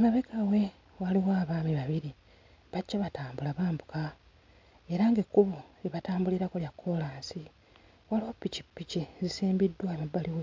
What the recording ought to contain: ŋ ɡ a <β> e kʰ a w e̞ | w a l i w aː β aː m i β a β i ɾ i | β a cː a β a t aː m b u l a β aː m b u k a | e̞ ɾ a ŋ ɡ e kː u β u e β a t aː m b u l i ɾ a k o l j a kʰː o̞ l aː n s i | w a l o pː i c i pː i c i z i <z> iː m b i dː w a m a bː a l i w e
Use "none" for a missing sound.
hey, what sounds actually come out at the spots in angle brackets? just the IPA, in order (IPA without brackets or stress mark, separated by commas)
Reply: β, s